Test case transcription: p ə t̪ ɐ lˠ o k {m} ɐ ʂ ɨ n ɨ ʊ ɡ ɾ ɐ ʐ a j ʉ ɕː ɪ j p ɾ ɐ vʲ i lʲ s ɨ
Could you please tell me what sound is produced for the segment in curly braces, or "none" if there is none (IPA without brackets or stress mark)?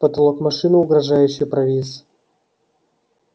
m